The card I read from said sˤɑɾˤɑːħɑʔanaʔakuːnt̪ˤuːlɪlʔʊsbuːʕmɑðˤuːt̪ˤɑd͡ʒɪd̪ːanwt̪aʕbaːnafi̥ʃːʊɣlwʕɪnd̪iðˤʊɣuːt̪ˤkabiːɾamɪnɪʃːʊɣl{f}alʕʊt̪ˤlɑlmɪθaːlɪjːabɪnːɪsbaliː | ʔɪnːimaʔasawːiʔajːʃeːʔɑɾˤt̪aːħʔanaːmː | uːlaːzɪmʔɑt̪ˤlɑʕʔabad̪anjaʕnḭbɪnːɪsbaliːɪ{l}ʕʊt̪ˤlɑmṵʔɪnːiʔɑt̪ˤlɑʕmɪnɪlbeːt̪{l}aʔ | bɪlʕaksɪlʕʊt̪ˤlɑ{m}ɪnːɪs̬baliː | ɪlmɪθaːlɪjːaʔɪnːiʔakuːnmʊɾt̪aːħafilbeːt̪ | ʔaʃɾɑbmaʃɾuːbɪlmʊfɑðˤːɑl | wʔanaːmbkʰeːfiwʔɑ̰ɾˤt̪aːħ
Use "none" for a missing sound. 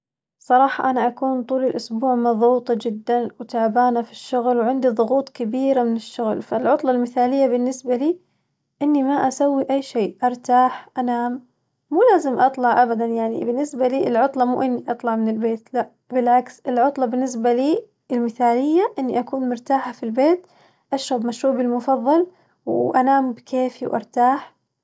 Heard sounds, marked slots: f, l, l, b

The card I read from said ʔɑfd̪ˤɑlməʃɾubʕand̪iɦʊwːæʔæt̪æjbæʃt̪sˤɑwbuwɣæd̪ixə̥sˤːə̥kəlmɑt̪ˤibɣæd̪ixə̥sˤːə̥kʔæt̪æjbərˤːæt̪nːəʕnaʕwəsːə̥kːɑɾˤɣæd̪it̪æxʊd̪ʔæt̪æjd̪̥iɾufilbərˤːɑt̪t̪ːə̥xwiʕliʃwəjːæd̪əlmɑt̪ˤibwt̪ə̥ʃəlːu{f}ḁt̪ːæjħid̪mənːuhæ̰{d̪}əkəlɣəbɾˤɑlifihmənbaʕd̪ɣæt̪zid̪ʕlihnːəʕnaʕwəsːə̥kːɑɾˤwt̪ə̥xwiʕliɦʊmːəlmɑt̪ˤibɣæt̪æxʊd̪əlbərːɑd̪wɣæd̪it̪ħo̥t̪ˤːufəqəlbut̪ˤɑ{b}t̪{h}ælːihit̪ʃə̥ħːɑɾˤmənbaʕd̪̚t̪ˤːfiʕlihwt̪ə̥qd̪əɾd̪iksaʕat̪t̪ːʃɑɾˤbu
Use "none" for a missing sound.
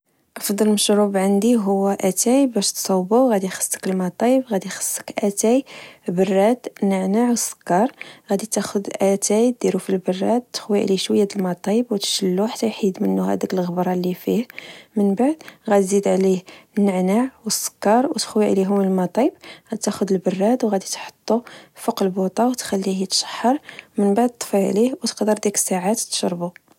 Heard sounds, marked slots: ħ, d̪, w, x

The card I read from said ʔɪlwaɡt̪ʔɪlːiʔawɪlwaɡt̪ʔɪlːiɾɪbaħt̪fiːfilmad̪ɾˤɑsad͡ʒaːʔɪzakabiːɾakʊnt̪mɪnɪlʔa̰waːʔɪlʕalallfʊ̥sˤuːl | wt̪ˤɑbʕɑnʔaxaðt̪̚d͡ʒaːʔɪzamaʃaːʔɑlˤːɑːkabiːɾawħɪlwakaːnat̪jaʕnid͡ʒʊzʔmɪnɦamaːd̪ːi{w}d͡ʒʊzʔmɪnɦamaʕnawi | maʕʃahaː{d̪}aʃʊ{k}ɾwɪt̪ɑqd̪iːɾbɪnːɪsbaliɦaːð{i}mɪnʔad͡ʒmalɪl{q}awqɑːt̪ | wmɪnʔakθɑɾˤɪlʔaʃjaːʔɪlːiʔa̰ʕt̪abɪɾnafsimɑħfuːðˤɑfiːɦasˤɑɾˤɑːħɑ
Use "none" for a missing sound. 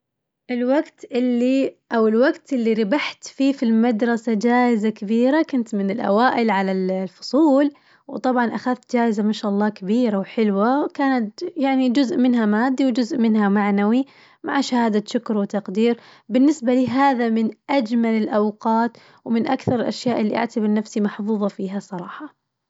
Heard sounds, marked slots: w, d̪, k, a, ʔ

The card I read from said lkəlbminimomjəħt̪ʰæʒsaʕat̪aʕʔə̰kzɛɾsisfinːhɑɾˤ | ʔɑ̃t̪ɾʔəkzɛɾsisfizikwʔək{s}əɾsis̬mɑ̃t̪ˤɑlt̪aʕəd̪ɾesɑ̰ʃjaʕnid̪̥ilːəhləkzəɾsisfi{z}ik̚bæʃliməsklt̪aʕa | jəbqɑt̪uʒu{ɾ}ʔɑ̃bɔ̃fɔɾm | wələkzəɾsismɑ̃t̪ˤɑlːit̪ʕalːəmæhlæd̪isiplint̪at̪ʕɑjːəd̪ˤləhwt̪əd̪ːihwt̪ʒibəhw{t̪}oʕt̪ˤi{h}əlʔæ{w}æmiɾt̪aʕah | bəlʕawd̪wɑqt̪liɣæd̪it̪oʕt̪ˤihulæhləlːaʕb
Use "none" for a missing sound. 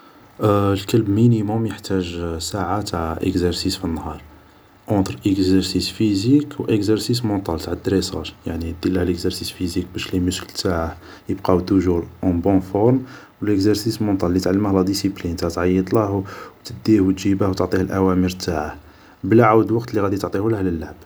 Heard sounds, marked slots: z, z, ɾ, t̪, h, w

